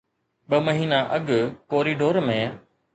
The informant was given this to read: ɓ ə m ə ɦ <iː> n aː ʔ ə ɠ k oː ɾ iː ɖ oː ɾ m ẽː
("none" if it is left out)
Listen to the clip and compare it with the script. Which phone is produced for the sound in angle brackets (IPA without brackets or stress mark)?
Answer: iː